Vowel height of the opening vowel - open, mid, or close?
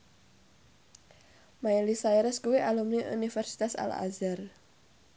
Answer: open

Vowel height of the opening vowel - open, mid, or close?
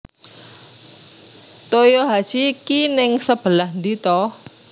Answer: mid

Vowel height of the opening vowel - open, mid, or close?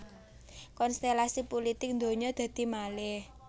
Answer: mid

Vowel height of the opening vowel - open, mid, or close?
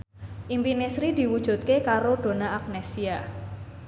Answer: close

